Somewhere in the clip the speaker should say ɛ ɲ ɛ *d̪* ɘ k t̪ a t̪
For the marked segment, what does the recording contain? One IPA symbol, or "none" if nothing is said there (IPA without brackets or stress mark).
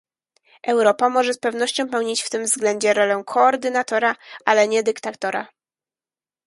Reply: d̪